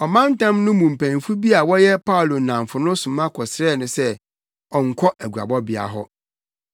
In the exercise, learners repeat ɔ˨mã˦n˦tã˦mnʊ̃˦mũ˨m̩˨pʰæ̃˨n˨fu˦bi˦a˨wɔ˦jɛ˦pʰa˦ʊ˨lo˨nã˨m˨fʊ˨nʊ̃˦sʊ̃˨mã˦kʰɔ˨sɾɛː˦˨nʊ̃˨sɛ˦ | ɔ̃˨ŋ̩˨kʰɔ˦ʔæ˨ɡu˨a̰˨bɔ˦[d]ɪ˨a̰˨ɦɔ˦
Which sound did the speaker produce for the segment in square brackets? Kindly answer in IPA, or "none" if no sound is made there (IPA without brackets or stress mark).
b